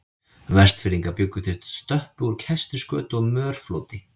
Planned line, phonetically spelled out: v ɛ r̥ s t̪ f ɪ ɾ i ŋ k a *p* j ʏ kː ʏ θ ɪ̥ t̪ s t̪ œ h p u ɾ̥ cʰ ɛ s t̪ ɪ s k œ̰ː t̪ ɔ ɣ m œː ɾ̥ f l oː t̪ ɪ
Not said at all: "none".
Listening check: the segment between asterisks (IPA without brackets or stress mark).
p